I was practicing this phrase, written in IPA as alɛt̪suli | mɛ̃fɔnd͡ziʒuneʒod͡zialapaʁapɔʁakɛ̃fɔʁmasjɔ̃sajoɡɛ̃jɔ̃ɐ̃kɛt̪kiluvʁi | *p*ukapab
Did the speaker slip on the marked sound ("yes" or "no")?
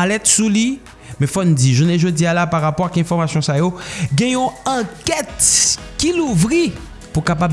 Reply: no